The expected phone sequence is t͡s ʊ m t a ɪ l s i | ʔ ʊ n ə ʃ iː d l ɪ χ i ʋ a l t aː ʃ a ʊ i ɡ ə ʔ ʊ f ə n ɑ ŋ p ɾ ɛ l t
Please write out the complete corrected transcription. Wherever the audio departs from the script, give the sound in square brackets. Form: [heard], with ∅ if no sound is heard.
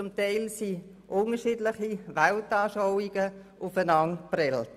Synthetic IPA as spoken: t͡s ʊ m t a ɪ l s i | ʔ ʊ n ə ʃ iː d l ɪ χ i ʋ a l t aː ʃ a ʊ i ɡ ə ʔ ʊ f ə n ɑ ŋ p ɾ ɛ l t